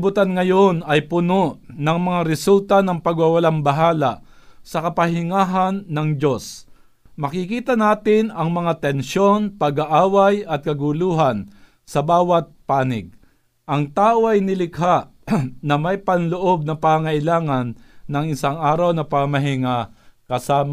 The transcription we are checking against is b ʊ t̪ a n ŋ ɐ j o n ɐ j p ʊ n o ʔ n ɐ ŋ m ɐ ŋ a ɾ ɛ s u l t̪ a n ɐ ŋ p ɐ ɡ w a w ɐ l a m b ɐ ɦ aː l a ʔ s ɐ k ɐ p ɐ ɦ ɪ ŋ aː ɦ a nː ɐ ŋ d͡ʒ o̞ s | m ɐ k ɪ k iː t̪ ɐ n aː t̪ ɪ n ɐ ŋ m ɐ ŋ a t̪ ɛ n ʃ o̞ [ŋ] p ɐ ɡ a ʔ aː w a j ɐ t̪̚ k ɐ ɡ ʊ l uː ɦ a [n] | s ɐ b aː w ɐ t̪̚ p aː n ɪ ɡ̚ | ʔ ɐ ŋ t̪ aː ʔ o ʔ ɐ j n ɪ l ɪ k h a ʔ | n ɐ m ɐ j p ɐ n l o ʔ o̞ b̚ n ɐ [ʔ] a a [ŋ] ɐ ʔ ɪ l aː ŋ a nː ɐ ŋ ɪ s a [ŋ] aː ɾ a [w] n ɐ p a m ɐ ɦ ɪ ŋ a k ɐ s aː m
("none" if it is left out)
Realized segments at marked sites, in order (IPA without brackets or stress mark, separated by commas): n, n, p, ŋ, ŋ, w